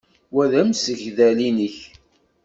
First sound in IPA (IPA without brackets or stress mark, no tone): w